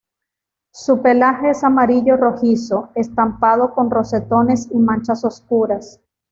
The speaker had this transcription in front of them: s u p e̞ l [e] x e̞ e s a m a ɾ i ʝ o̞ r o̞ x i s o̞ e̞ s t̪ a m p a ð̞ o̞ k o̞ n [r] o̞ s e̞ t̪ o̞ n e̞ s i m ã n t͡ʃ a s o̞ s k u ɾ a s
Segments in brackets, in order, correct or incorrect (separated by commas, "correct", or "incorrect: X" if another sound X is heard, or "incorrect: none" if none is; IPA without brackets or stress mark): incorrect: a, correct